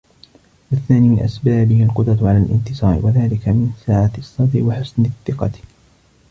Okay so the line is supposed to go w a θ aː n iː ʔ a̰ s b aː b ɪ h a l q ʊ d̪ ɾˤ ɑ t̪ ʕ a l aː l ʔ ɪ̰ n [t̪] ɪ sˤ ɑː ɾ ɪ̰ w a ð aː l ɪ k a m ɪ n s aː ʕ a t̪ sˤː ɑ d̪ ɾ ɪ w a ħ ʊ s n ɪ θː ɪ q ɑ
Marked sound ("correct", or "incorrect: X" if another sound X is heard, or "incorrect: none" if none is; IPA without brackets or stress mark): correct